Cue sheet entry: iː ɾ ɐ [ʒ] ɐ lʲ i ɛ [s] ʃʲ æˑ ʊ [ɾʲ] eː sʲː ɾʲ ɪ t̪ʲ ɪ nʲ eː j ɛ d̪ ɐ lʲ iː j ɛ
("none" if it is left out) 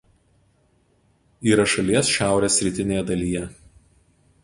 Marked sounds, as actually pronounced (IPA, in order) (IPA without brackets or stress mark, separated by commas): ʃ, s, ɾʲ